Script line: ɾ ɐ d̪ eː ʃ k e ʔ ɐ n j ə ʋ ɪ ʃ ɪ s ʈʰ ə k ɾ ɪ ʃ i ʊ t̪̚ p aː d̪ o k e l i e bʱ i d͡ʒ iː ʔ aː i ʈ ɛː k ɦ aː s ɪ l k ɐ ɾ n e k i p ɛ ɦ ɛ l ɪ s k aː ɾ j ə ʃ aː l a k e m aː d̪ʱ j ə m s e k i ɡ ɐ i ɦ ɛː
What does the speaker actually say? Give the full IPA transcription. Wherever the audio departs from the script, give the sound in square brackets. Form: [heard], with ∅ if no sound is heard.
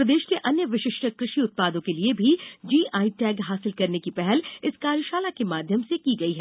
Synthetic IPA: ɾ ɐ d̪ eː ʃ k e ʔ ɐ n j ə ʋ ɪ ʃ ɪ [ʃ] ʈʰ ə k ɾ ɪ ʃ i ʊ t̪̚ p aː d̪ [õ] k e l i e bʱ i d͡ʒ iː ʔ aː i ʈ ɛː [ɡ] ɦ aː s ɪ l k ɐ ɾ n e k i p ɛ ɦ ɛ l ɪ s k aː ɾ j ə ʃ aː l a k e m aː d̪ʱ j ə m s e k i ɡ ɐ i ɦ ɛː